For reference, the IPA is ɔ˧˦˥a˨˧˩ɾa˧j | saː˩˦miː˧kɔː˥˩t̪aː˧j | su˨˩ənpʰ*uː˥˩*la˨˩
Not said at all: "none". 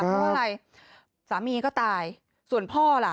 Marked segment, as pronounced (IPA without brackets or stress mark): ɔː˥˩